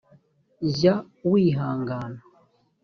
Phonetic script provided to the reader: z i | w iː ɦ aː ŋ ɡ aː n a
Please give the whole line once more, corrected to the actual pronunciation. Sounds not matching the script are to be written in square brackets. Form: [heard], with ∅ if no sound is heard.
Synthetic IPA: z [a] | w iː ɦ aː ŋ ɡ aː n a